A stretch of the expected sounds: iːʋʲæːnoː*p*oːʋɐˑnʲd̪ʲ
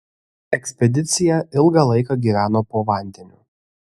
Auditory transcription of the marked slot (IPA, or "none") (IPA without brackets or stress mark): p